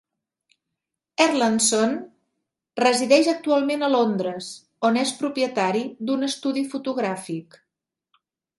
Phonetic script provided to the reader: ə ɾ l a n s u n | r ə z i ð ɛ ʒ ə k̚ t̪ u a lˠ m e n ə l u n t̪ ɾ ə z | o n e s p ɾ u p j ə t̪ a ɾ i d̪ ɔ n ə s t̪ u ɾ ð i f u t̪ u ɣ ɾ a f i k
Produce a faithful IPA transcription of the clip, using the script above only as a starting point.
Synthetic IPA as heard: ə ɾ l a n s o n | r ə z i ð ɛ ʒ ə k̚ t̪ u a lˠ m e n ə l o n d̪ ɾ ə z | o n e s p ɾ u p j ə t̪ a ɾ i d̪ u n ə s t̪ u ð i f u t̪ u ɣ ɾ a f i k